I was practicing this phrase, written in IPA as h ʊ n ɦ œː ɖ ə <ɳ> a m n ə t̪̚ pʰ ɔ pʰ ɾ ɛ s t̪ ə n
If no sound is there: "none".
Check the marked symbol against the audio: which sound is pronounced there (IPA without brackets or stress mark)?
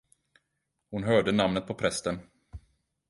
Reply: n